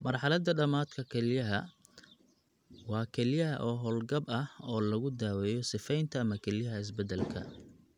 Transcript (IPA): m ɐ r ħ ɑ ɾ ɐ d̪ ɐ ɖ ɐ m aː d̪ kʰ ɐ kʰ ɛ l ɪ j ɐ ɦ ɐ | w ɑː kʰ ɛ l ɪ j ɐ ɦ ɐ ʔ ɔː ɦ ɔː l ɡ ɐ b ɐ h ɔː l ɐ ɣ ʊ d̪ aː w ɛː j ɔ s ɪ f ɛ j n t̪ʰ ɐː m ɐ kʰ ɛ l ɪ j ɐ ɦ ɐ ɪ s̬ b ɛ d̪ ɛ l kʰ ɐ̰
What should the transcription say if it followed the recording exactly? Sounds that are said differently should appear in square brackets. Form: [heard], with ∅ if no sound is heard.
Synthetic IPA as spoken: m ɐ r ħ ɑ [l] ɐ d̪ ɐ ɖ ɐ m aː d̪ kʰ ɐ kʰ ɛ l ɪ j ɐ ɦ ɐ | w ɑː kʰ ɛ l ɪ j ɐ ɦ ɐ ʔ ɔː ɦ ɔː l ɡ ɐ b ɐ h ɔː l ɐ ɣ ʊ d̪ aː w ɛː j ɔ s ɪ f ɛ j n t̪ʰ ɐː m ɐ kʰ ɛ l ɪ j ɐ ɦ ɐ ɪ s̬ b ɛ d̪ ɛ l kʰ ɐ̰